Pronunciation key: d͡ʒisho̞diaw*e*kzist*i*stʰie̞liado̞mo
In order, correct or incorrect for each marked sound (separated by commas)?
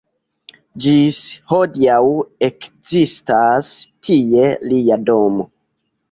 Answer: correct, incorrect